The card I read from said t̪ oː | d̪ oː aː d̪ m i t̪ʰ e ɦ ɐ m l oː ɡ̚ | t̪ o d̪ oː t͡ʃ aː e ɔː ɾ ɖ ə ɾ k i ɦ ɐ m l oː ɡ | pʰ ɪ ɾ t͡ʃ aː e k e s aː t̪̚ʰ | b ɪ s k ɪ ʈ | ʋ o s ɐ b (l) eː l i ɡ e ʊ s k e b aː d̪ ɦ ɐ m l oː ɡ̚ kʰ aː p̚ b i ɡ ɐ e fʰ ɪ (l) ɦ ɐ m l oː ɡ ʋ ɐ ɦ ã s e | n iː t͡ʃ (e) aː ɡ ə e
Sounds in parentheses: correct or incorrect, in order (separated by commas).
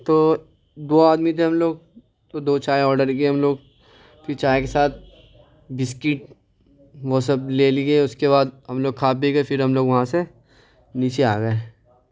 correct, incorrect, correct